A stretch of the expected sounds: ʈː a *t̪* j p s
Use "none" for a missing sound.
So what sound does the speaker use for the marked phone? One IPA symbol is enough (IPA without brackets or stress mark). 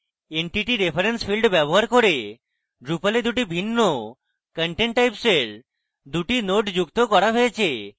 none